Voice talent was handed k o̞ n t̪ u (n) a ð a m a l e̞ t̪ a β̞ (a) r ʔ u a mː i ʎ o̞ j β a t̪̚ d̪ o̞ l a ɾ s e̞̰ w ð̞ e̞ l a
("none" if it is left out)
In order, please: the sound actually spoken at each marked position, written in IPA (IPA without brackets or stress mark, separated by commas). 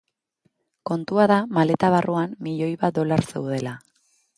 none, a